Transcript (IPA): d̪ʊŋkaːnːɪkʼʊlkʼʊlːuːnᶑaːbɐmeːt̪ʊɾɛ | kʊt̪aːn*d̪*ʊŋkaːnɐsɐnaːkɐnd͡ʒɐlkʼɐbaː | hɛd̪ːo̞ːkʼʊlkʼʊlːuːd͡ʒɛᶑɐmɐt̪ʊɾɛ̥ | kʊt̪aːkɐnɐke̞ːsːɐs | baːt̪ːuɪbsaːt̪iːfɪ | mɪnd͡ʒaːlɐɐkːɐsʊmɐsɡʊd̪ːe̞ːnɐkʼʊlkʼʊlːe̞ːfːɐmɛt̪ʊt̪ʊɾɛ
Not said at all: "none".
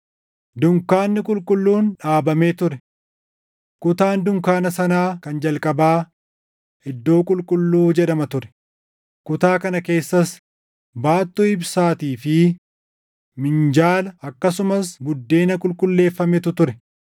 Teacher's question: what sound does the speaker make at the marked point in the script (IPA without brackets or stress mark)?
d̪